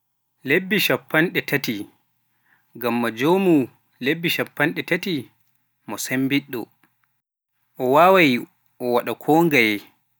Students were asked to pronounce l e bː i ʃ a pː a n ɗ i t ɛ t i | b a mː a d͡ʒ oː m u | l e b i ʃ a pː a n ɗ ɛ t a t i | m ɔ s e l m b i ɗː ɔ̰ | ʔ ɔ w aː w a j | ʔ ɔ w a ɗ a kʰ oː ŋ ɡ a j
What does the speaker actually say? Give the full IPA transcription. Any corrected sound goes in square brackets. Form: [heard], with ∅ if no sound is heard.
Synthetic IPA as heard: l e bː i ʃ a pː a n ɗ [ɛ] t [a] t i | [ɡ] a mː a d͡ʒ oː m u | l e [bː] i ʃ a pː a n ɗ ɛ t a t i | m ɔ s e [∅] m b i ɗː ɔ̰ | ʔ ɔ w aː w a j | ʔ ɔ w a ɗ a kʰ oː ŋ ɡ a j